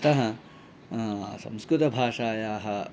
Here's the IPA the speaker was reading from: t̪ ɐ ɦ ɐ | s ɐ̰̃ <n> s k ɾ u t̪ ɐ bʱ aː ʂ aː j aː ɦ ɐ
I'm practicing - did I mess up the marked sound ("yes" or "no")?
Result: yes